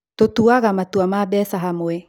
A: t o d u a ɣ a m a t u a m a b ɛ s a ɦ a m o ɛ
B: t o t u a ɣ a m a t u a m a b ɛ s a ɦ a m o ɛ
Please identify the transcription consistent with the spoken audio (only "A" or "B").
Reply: B